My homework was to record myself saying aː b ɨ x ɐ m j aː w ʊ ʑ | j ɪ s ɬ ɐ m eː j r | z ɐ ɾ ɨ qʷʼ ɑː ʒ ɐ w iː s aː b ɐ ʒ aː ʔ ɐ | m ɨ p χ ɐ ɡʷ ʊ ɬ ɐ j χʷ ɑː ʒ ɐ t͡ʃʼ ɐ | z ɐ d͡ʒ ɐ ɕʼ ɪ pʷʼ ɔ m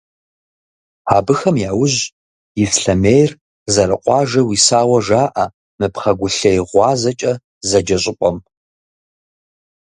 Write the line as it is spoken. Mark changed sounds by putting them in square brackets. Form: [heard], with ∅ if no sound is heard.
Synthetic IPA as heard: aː b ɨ x ɐ m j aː w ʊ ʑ | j ɪ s ɬ ɐ m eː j r | z ɐ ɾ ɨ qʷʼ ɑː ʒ ɐ w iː s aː [w] ɐ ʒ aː ʔ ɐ | m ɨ p χ ɐ ɡʷ ʊ ɬ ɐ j [ʁʷ] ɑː [z] ɐ t͡ʃʼ ɐ | z ɐ d͡ʒ ɐ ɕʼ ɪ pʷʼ ɔ m